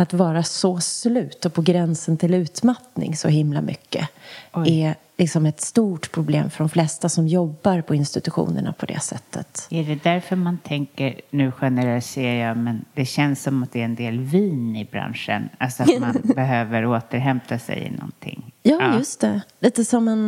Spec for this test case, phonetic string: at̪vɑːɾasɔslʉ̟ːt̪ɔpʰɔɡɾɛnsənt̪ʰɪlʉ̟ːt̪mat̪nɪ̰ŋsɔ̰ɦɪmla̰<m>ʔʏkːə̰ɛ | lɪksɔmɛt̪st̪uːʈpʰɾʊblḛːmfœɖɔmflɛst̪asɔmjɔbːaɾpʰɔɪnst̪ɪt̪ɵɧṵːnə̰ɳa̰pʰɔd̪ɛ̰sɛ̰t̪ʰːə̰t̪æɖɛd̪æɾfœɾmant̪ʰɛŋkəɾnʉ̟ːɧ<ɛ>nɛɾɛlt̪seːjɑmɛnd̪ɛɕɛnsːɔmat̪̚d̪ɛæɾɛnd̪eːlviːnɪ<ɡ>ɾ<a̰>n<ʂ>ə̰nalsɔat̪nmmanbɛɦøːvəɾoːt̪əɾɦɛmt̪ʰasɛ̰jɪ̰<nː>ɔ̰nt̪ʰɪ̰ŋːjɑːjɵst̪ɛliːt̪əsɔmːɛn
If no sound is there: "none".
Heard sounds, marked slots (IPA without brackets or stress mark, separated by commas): m, ɛ, b, a̰, ʂ, n